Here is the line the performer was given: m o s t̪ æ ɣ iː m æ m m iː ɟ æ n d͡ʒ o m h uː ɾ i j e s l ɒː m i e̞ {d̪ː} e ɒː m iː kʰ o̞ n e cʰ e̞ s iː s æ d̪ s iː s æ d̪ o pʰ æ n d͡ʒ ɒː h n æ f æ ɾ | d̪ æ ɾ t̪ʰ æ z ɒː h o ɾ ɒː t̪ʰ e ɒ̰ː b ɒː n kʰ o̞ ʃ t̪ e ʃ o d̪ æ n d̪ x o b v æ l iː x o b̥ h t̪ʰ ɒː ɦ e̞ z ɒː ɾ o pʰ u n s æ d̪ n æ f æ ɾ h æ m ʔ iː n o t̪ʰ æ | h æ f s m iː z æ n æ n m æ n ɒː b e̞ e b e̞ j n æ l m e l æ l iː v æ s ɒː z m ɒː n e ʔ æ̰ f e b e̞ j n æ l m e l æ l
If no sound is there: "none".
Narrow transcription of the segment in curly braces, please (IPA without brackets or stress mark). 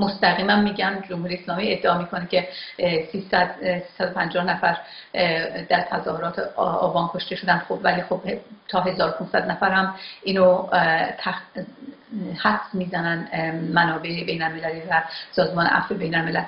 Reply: d̪ː